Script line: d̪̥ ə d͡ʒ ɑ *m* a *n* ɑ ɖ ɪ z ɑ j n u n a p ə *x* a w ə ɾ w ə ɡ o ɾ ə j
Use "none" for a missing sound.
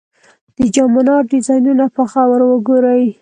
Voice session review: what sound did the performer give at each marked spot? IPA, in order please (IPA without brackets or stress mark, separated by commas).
m, n, x